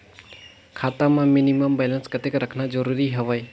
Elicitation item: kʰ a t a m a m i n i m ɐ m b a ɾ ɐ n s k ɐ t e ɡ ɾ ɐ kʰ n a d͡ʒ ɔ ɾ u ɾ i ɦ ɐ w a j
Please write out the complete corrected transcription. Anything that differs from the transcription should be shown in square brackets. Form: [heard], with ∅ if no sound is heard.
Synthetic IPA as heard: kʰ a t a m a m i n i m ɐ m b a [l] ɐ n s k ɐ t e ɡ ɾ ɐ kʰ n a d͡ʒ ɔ ɾ u ɾ i ɦ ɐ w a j